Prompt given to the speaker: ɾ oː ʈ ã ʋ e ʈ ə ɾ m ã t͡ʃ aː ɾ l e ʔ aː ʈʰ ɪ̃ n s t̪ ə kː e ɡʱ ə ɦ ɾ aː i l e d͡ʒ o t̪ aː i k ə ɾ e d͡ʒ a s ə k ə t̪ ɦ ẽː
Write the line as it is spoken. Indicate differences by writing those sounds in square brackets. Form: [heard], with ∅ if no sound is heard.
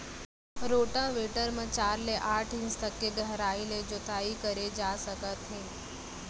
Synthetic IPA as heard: ɾ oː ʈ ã ʋ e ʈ ə ɾ m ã t͡ʃ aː ɾ l e ʔ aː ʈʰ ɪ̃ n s t̪ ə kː e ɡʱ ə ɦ ɾ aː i l e d͡ʒ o t̪ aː i k ə ɾ e d͡ʒ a s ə k ə t̪ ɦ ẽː